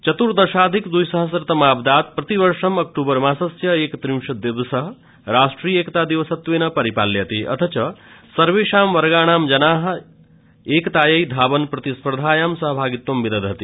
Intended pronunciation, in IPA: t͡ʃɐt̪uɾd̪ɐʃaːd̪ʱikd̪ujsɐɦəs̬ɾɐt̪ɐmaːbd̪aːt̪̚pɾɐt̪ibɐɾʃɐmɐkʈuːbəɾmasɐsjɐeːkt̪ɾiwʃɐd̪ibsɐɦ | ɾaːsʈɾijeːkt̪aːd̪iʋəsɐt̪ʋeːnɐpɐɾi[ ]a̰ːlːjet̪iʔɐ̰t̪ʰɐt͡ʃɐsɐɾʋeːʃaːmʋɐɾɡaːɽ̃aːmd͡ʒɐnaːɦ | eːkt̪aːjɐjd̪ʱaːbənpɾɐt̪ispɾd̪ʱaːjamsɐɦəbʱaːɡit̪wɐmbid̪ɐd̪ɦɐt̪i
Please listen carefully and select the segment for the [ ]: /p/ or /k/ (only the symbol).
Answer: p